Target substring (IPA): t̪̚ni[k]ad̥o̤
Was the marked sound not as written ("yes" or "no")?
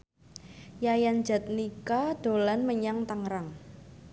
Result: no